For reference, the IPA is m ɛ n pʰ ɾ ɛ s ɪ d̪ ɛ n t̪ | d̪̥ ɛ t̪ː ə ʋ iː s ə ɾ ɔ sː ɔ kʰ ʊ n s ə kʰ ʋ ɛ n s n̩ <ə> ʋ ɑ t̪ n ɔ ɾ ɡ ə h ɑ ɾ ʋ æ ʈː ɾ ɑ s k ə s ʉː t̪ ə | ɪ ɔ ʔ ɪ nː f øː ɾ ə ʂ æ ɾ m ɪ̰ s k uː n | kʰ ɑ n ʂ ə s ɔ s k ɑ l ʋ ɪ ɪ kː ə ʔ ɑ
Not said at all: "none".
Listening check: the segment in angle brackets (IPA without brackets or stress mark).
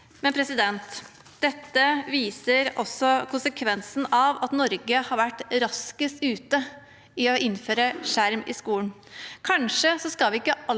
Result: ɑ